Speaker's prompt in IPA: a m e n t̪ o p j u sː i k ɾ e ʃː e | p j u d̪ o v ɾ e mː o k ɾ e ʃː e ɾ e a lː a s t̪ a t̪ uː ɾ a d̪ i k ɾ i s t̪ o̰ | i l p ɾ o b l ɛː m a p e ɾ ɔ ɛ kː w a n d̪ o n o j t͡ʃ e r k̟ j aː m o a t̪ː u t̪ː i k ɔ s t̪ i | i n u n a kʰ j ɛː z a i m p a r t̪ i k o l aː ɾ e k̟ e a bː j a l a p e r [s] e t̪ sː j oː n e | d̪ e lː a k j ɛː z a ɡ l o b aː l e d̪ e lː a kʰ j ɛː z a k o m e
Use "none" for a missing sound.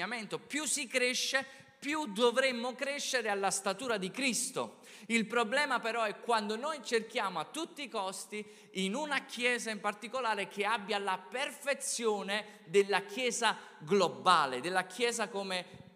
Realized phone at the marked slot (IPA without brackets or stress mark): f